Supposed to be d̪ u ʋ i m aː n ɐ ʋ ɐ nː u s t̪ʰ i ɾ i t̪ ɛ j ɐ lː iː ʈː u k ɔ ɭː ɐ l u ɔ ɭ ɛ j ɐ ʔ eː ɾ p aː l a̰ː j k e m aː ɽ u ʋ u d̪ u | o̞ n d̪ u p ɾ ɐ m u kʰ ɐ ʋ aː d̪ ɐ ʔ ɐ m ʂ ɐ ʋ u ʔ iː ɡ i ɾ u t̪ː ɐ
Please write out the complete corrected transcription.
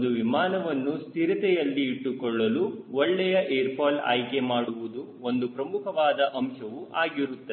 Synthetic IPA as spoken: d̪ u ʋ i m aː n ɐ ʋ ɐ nː u s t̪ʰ i ɾ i t̪ ɛ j ɐ lː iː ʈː u k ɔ ɭː ɐ l u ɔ ɭː ɛ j ɐ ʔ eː ɾ p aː l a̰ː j k e m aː ɽ u ʋ u d̪ u | o̞ n d̪ u p ɾ ɐ m u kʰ ɐ ʋ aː d̪ ɐ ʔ ɐ m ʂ ɐ ʋ u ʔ aː ɡ i ɾ u t̪ː ɐ